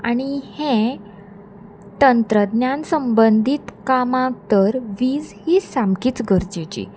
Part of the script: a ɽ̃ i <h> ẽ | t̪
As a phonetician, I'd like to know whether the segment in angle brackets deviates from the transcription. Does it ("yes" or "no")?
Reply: no